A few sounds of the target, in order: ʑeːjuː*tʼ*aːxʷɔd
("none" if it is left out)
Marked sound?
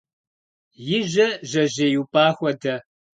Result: pʼ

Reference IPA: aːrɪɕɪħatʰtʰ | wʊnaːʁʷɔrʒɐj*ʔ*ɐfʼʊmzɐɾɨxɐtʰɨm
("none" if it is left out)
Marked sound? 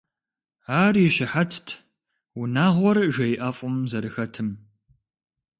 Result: ʔ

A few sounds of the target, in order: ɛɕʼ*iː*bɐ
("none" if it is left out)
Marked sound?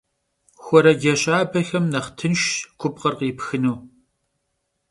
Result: aː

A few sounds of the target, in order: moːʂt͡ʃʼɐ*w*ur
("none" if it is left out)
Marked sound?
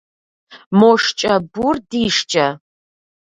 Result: b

